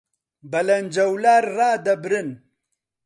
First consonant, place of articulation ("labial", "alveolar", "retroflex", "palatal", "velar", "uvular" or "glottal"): labial